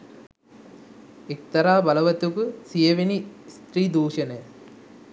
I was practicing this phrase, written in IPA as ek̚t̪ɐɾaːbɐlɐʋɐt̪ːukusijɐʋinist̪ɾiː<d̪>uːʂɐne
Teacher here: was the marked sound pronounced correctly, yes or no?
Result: yes